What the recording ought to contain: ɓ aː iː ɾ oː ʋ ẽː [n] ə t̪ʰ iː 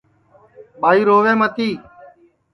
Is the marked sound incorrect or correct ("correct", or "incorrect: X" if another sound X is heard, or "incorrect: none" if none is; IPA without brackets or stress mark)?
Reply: incorrect: m